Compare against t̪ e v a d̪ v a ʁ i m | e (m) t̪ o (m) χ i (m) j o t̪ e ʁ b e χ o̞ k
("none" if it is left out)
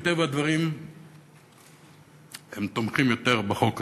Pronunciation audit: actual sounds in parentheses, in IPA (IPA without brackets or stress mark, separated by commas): m, m, m